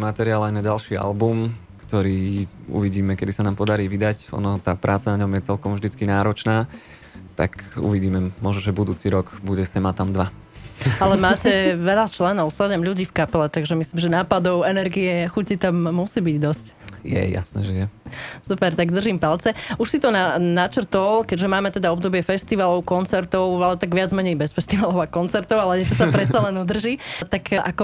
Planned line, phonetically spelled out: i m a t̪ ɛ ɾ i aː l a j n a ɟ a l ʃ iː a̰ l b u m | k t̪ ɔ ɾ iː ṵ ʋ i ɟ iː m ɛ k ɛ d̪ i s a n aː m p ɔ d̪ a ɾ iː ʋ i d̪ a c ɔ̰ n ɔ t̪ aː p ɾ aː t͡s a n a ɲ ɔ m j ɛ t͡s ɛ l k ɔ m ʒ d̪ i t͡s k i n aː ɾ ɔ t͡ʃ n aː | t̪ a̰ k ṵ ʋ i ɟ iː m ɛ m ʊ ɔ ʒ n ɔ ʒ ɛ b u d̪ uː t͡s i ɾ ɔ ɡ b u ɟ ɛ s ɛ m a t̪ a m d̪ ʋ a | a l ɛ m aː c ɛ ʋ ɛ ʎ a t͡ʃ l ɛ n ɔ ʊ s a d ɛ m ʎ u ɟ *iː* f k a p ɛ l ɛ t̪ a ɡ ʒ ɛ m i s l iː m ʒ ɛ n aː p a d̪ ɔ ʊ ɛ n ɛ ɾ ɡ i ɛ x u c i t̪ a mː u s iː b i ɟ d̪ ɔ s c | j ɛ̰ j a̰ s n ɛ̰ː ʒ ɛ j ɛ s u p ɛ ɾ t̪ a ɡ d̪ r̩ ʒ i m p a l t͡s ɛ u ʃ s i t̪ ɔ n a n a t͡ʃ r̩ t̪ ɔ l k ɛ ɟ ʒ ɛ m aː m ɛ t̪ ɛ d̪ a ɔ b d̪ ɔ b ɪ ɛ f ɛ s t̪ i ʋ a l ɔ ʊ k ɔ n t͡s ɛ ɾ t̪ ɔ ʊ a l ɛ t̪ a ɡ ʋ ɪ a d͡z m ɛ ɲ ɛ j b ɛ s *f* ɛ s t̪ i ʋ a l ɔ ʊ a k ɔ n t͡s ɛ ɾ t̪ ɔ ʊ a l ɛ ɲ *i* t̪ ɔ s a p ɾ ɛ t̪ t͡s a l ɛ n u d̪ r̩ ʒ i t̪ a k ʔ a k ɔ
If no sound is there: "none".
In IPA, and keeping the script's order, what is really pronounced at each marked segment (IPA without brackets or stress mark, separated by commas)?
iː, f, ɛ